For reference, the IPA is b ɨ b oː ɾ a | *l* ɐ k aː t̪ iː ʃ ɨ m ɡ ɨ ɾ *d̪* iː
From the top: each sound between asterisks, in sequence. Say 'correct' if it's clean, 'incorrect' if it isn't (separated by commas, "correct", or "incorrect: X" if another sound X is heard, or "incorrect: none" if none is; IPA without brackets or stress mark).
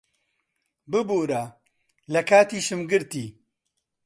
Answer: correct, incorrect: t̪